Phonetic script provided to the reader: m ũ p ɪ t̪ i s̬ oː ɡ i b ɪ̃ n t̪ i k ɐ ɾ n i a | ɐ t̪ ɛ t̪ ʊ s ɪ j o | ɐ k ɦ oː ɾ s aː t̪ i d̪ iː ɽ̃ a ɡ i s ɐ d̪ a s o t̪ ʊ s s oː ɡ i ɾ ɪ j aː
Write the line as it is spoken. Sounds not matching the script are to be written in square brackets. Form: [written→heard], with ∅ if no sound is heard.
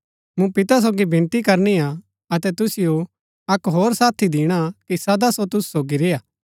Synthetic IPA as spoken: m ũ p ɪ t̪ [i→a] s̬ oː ɡ i b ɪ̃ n t̪ i k ɐ ɾ n i a | ɐ t̪ ɛ t̪ ʊ s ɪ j o | ɐ k ɦ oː ɾ s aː [t̪→t̪ʰ] i d̪ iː ɽ̃ a [ɡ→k] i s ɐ d̪ a s o t̪ ʊ s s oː ɡ i ɾ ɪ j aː